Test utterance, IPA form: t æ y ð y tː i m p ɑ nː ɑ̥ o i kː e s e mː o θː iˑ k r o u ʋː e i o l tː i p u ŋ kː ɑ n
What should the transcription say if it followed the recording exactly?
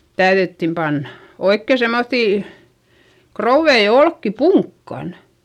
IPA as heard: t æ y ð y tː i m p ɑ nː ɑ̥ o i kː e s e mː o θː iˑ k r o u ʋː e i o l kː i p u ŋ kː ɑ n